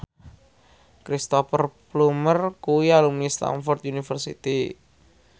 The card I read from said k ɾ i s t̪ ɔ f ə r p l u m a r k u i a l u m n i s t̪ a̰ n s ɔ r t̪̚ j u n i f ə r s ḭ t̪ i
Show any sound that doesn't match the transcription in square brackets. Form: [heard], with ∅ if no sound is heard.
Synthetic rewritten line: k ɾ i s t̪ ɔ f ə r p l u m [ə] r k u i a l u m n i s t̪ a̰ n [f] ɔ r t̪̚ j u n i f ə r s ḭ t̪ i